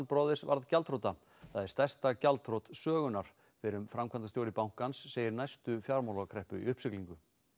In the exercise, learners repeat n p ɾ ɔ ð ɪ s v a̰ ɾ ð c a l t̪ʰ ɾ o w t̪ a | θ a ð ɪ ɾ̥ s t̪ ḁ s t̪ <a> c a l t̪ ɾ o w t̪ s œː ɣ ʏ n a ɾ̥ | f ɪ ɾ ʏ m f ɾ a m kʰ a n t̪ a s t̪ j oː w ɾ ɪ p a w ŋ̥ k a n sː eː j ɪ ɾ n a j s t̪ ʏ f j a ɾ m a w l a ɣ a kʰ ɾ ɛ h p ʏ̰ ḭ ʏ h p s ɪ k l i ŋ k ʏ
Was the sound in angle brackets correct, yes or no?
yes